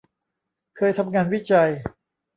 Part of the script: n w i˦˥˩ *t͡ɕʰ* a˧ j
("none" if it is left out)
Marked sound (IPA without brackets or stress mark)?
t͡ɕ